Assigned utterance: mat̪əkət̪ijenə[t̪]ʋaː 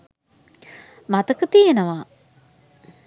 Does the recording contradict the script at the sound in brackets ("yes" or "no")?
yes